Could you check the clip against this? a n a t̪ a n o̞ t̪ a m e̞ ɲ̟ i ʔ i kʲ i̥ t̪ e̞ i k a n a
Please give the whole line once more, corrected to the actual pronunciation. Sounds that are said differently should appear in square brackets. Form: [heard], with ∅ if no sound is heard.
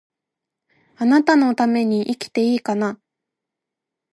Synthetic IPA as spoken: a n a t̪ a n o̞ t̪ a m e̞ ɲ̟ i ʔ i kʲ i̥ t̪ e̞ [iː] k a n a